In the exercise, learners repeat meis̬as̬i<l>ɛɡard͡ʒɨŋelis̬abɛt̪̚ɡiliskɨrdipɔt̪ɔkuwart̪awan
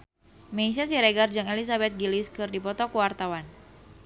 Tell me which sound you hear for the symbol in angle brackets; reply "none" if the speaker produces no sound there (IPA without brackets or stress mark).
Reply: ɾ